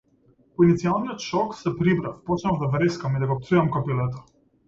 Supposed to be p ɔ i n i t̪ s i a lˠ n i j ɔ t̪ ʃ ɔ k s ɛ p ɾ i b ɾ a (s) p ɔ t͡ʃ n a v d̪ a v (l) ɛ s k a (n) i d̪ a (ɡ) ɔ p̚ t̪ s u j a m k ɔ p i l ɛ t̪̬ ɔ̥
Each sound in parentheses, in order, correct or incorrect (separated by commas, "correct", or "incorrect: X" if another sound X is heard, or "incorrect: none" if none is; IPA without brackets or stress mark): incorrect: f, incorrect: ɾ, incorrect: m, correct